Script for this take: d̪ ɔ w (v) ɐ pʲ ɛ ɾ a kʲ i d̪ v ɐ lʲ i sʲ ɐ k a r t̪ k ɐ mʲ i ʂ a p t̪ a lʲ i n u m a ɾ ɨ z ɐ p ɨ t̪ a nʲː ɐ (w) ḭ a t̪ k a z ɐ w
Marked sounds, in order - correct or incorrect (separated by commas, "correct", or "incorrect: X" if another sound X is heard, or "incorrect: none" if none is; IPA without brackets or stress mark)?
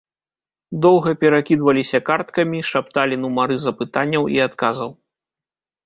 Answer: incorrect: ɣ, correct